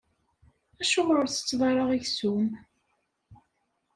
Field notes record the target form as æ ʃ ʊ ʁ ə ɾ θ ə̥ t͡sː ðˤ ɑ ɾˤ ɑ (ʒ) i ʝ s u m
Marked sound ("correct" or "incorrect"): incorrect